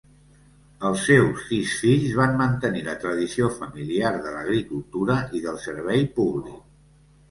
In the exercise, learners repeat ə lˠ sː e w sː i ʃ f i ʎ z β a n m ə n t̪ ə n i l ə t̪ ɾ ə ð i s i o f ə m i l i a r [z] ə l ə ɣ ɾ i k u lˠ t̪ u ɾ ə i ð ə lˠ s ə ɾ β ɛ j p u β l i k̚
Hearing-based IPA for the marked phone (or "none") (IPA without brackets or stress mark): ð